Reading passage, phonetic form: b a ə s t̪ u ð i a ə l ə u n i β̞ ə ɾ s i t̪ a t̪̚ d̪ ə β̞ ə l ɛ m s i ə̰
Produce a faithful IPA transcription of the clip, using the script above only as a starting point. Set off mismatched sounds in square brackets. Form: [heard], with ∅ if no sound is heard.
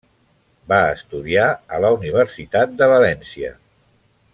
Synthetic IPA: b a ə s t̪ u ð i a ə l ə u n i β̞ ə ɾ s i t̪ a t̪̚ d̪ ə β̞ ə l ɛ [n] s i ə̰

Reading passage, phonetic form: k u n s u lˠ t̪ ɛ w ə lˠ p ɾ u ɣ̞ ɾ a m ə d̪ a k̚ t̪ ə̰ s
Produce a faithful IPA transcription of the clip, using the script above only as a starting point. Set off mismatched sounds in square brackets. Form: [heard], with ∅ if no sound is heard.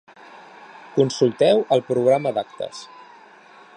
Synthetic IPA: k u n s u lˠ t̪ ɛ w ə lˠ p ɾ u ɣ̞ ɾ a m ə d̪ a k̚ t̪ ə̰ s

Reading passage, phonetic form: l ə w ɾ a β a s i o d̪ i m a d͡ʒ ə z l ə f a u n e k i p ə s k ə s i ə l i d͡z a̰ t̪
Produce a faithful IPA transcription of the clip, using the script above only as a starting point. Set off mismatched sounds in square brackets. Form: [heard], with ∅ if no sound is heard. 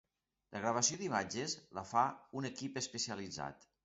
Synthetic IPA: l ə [ɣ] ɾ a β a s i o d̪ i m a d͡ʒ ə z l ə f a u n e k i p ə s [p] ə s i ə l i d͡z a̰ t̪

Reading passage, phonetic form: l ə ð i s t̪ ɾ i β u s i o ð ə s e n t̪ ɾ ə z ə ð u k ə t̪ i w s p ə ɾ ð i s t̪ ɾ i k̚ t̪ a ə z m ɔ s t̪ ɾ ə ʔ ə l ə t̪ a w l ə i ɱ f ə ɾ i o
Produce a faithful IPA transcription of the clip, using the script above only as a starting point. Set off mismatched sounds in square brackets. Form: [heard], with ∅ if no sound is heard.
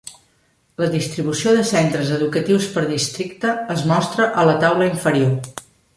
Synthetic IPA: l ə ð i s t̪ ɾ i β u s i o ð ə s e n t̪ ɾ ə z ə ð u k ə t̪ i w s p ə ɾ ð i s t̪ ɾ i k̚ t̪ [ə] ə z m ɔ s t̪ ɾ ə ʔ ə l ə t̪ a w l ə i ɱ f ə ɾ i o

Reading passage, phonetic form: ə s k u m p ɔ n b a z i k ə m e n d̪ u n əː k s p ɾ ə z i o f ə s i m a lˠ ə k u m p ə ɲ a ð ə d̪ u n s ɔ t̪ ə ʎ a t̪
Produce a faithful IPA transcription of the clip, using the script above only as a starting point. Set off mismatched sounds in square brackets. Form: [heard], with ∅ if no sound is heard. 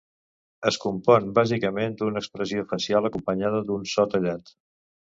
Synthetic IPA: ə s k u m p ɔ n b a z i k ə m e n d̪ u n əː k s p ɾ ə z i o f ə s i [∅] a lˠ ə k u m p ə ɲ a ð ə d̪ u n s ɔ t̪ ə ʎ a t̪

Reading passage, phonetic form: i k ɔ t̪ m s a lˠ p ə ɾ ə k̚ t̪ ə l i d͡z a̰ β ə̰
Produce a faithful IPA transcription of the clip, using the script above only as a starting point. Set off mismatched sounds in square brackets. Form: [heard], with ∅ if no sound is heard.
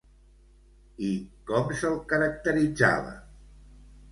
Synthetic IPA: i k ɔ [∅] m s [ə] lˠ [k] ə ɾ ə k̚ t̪ ə [ɾ] i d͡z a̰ β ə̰

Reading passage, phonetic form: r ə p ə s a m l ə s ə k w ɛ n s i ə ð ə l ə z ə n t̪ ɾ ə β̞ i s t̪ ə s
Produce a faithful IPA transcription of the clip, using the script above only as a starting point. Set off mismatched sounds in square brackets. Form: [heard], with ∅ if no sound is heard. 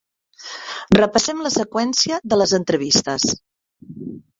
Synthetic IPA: r ə p ə s [ɛ] m l ə s ə k w ɛ n s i ə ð ə l ə z ə n t̪ ɾ ə β̞ i s t̪ ə s

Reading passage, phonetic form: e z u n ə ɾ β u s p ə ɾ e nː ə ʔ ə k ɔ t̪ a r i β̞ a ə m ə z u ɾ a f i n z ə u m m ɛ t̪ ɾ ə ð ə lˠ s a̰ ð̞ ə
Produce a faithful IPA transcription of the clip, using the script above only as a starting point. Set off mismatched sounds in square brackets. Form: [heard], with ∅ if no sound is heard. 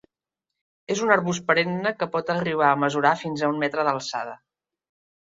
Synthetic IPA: e z u n ə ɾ β u s p ə ɾ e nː ə [k] ə [p] ɔ t̪ [ə] r i β̞ a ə m ə z u ɾ a f i n z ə u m m ɛ t̪ ɾ ə ð ə lˠ s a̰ ð̞ ə

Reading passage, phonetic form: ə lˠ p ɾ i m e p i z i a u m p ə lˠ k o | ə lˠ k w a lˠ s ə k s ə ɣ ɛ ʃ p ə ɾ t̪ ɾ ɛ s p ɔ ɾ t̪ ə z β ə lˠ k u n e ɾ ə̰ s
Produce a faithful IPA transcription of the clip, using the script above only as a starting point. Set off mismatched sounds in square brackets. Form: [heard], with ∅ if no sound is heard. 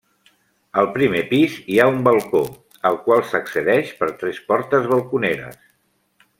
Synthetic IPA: ə lˠ p ɾ i m e p i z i a u m [b] ə lˠ k o | ə lˠ k w a lˠ s ə k s ə [ð] ɛ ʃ p ə ɾ t̪ ɾ ɛ s p ɔ ɾ t̪ ə z β ə lˠ k u n e ɾ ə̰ s

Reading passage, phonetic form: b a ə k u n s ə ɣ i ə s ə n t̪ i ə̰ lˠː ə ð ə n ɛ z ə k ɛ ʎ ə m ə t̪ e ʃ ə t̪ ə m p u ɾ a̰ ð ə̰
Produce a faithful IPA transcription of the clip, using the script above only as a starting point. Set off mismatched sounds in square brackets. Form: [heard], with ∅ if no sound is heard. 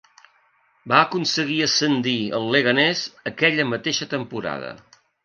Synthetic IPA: b a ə k u n s ə ɣ i ə s ə n [d̪] i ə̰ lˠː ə [ɣ] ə n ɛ z ə k ɛ ʎ ə m ə t̪ e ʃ ə t̪ ə m p u ɾ a̰ ð ə̰

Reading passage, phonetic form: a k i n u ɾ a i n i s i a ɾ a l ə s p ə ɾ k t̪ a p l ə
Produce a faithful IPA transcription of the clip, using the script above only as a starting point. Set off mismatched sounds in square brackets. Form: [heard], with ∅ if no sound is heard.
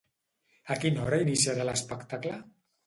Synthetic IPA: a k i n [ɔ] ɾ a i n i s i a ɾ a l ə s p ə [∅] k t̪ a [k] l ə

